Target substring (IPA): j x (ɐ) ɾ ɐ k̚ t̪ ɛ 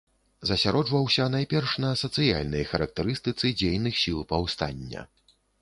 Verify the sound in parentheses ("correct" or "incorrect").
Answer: correct